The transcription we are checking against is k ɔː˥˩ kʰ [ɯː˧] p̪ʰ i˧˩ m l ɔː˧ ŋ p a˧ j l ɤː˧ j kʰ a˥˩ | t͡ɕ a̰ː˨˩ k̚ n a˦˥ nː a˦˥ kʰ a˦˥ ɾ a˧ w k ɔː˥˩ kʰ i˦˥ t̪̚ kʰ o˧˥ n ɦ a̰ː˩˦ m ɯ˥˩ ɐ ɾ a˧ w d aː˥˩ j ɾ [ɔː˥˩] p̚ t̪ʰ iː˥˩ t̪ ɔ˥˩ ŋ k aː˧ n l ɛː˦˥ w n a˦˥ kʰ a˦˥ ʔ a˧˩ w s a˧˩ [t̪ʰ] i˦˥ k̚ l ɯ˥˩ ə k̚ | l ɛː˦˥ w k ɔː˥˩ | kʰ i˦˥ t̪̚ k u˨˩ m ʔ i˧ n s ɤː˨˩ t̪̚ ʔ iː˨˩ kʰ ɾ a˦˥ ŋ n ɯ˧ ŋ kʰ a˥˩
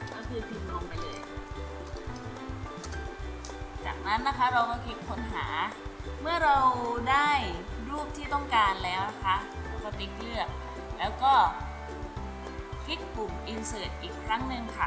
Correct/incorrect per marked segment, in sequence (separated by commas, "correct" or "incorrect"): correct, incorrect, incorrect